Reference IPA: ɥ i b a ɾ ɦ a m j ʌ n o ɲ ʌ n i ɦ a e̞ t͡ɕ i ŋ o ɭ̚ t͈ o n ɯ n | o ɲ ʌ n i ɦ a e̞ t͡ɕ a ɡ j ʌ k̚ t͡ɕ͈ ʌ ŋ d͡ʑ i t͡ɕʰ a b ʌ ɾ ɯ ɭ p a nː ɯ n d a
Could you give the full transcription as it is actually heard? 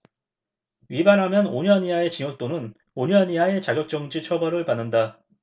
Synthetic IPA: ɥ i b a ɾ ɦ a m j ʌ n o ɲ ʌ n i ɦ a e̞ t͡ɕ i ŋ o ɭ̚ t͈ o n ɯ n | o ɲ ʌ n i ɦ a e̞ t͡ɕ a ɡ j ʌ k̚ t͡ɕ͈ ʌ ŋ d͡ʑ i t͡ɕʰ ʌ b ʌ ɾ ɯ ɭ p a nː ɯ n d a